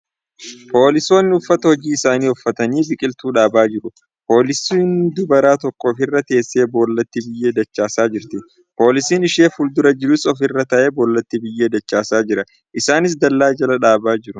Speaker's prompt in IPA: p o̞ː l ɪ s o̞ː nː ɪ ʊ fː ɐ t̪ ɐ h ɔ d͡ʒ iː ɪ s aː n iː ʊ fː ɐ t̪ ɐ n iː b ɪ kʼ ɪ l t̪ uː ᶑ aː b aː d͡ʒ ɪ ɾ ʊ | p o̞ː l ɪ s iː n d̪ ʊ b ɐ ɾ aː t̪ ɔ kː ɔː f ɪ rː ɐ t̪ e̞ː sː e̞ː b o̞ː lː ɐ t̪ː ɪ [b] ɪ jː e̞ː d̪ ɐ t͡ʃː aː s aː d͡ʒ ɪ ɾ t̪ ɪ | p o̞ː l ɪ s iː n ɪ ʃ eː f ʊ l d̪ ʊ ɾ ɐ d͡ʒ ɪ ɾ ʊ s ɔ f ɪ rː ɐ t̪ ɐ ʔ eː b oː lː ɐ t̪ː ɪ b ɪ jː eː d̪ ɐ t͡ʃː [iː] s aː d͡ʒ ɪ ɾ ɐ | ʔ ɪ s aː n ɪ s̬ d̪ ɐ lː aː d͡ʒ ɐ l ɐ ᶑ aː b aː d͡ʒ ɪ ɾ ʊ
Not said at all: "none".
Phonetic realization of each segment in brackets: b, aː

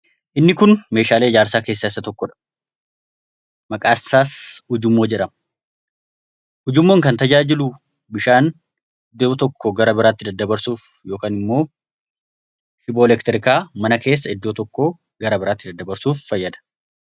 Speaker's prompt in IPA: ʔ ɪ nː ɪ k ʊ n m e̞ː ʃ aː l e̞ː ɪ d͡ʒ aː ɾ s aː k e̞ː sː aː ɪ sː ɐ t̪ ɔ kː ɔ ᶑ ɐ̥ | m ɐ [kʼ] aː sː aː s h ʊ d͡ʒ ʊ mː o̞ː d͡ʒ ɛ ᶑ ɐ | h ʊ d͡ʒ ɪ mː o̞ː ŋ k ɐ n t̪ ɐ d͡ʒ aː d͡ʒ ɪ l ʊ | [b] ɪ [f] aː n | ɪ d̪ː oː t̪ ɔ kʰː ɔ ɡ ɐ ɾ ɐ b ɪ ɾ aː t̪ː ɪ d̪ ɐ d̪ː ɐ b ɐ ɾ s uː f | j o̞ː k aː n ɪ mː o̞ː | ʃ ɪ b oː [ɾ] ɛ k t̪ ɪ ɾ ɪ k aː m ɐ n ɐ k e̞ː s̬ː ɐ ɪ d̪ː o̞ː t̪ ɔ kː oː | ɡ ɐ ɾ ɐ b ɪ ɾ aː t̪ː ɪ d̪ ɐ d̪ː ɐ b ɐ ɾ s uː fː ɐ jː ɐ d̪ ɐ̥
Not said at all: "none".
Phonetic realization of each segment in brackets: kʼ, b, ʃ, l

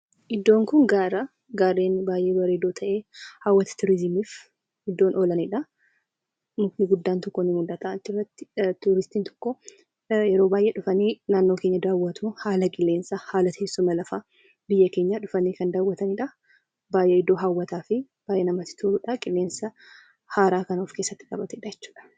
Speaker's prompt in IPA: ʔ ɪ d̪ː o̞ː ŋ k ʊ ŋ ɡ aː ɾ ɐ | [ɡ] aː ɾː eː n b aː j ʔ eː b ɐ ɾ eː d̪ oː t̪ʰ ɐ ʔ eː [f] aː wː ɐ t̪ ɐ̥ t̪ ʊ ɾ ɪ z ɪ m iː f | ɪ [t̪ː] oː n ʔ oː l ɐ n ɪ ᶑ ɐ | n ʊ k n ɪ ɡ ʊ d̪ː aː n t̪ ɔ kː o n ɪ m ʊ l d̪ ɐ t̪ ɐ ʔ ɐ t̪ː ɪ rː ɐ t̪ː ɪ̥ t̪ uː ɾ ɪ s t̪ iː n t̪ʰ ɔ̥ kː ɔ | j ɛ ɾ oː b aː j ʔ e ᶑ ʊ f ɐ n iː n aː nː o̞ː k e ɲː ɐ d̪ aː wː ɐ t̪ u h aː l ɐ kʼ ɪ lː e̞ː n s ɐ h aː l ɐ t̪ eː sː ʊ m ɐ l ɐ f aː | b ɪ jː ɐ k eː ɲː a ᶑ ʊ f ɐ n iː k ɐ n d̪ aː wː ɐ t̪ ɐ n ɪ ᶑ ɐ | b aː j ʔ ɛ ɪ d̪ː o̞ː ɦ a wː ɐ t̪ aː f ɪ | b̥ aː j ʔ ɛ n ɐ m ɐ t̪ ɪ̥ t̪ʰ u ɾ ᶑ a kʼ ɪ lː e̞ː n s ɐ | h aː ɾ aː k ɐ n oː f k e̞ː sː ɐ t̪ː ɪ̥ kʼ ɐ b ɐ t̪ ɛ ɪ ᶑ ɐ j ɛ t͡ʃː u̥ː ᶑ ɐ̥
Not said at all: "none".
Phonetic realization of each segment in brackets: ɡ, h, d̪ː

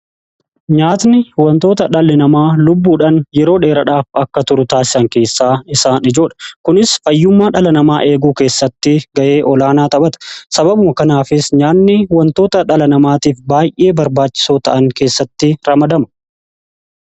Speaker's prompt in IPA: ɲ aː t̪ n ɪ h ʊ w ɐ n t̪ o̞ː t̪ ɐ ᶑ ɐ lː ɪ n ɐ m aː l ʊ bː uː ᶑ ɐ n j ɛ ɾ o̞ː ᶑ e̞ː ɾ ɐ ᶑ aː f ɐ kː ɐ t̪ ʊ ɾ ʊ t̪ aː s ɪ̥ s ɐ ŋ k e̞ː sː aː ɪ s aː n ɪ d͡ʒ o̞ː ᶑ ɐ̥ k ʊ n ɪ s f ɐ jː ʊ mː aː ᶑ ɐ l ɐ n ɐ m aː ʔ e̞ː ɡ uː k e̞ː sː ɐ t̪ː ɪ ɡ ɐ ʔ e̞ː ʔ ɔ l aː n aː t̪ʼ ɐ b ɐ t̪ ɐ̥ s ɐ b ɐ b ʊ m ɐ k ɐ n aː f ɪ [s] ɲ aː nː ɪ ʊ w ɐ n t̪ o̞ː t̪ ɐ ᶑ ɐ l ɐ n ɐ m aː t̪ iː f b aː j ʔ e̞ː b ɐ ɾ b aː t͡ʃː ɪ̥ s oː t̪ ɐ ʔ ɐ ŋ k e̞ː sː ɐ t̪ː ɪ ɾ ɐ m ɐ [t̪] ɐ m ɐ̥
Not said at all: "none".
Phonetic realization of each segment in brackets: s, d̪

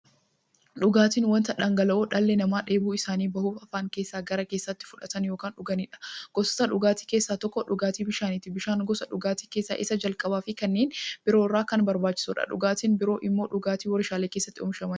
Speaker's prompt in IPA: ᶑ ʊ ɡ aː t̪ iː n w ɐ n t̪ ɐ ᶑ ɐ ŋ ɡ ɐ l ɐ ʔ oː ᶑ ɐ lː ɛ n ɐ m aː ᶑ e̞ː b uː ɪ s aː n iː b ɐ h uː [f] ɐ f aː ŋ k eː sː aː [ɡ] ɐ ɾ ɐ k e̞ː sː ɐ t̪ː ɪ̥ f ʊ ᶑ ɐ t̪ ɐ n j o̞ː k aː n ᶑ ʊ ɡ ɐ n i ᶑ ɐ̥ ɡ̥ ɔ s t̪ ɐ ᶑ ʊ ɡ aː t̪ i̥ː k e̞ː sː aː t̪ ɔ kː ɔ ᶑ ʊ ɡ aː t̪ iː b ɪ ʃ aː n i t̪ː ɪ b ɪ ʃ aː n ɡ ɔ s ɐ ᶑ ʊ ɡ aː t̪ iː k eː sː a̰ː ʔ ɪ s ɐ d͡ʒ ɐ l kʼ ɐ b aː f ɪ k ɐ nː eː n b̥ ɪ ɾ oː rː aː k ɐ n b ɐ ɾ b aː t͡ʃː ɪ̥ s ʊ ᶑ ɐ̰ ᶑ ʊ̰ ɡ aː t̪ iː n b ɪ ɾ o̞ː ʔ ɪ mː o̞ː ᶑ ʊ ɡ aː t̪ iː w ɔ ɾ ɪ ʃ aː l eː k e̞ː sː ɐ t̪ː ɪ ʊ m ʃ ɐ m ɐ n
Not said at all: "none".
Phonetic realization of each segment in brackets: f, ɡ

